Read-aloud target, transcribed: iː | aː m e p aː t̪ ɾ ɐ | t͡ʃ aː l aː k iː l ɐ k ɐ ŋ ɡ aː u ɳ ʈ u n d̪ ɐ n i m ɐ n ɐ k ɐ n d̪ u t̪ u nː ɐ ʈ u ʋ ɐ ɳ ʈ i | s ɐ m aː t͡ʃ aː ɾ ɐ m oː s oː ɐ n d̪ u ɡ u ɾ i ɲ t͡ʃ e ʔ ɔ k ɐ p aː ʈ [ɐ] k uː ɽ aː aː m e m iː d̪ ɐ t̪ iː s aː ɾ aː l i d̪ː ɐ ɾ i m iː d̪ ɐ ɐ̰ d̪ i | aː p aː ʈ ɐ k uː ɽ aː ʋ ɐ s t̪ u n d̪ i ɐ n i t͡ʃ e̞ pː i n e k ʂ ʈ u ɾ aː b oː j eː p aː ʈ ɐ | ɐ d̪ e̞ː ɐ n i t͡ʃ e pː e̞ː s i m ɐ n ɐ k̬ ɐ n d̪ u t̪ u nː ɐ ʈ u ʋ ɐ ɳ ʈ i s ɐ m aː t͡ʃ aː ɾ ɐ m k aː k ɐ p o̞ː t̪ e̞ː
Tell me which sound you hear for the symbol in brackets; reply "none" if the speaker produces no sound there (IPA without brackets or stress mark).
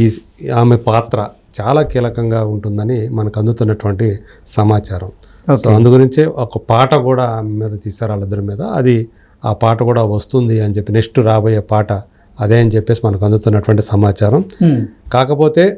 ɐ